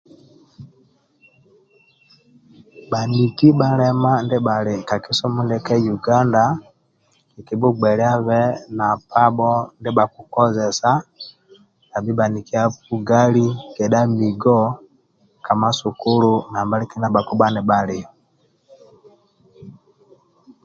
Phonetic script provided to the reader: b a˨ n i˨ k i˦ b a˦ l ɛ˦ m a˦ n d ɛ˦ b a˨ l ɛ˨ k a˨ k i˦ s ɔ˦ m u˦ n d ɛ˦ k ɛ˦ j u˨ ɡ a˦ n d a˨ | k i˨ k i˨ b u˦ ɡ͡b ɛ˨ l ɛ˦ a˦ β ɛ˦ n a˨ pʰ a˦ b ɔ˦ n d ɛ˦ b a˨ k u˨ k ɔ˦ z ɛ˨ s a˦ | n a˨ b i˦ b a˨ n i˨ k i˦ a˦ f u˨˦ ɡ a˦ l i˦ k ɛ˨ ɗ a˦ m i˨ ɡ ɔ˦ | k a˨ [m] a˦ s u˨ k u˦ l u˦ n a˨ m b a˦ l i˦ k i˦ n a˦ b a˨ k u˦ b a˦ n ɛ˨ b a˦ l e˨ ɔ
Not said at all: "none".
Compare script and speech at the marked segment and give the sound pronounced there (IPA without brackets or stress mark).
m